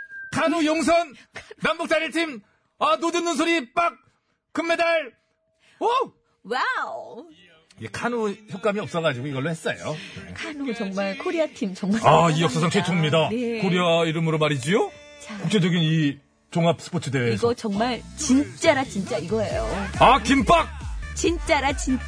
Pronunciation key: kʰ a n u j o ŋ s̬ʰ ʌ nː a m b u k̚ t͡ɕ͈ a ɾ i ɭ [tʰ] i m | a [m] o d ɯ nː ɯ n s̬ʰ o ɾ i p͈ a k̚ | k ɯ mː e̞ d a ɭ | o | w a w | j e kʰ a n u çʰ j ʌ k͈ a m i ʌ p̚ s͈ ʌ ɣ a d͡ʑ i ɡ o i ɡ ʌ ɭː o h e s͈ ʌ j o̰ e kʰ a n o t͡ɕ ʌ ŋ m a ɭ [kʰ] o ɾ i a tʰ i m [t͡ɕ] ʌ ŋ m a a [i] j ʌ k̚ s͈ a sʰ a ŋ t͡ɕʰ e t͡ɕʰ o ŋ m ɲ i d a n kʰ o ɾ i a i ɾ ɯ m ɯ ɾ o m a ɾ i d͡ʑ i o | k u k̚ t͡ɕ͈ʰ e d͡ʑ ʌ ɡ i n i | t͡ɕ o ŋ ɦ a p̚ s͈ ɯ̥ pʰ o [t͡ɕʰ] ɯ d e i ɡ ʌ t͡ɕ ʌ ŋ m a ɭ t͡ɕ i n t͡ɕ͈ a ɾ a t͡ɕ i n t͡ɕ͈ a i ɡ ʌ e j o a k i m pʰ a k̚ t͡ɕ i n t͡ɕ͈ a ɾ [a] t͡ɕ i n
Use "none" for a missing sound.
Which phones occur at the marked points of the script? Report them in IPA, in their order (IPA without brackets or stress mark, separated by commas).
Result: tʰ, n, kʰ, t͡ɕ, i, t͡ɕʰ, a